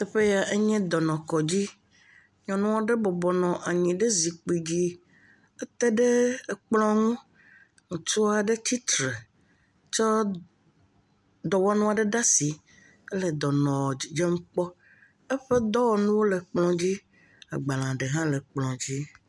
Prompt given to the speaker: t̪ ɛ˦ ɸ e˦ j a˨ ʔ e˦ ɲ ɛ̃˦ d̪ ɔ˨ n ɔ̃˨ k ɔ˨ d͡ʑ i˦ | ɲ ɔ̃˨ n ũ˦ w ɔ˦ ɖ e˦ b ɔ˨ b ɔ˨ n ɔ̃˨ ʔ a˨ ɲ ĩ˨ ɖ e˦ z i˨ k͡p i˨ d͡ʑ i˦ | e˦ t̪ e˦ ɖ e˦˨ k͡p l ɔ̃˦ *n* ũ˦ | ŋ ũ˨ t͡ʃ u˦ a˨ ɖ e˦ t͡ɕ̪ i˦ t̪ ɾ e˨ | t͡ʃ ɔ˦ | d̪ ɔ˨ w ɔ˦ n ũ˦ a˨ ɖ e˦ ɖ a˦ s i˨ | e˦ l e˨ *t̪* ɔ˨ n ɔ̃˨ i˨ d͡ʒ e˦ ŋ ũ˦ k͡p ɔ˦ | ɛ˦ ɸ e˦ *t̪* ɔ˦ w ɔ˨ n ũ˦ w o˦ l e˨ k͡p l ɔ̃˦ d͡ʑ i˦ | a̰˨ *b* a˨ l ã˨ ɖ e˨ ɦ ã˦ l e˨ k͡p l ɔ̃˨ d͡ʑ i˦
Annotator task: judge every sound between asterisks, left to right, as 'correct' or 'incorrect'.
incorrect: ŋ, incorrect: d̪, incorrect: d̪, incorrect: ɡ͡b

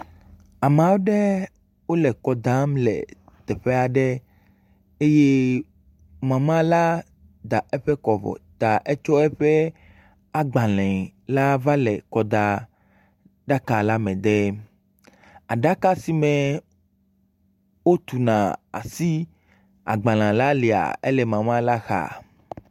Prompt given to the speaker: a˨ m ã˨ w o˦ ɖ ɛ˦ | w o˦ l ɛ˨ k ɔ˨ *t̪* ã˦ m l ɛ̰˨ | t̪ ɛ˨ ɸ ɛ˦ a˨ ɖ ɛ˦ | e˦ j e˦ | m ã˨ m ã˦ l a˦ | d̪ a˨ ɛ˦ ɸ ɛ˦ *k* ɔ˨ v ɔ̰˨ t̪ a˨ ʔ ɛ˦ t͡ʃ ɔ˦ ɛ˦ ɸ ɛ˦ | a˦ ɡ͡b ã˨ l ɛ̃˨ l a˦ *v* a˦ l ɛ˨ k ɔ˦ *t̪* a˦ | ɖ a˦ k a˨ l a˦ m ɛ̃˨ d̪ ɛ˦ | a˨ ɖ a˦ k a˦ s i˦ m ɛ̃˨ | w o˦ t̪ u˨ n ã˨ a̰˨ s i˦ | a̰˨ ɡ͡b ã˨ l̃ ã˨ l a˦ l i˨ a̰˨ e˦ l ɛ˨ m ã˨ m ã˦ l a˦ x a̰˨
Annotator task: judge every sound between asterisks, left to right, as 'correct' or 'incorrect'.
incorrect: d̪, correct, correct, incorrect: d̪

